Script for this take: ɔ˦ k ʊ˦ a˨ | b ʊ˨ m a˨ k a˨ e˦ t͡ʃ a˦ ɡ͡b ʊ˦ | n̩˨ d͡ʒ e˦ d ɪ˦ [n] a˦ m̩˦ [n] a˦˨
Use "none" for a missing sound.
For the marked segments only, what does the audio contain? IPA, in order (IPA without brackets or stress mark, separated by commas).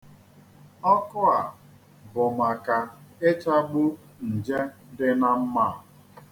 n, m